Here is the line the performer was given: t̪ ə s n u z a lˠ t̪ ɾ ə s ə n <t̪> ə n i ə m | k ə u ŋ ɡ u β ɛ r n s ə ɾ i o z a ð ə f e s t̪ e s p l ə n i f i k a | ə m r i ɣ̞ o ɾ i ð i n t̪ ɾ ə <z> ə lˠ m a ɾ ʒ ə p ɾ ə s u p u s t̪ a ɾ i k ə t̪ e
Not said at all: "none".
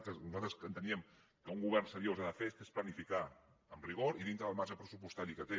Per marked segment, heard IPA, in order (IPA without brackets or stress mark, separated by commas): t̪, ð